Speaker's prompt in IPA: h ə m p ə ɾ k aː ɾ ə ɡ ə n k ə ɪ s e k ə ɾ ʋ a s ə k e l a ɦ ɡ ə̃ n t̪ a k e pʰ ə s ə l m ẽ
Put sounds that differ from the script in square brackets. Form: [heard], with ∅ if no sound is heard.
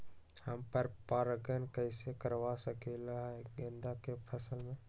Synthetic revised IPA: h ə m p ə ɾ [p] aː ɾ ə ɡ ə n k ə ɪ s e k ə ɾ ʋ a s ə k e l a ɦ ɡ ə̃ n [d̪] a k e pʰ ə s ə l m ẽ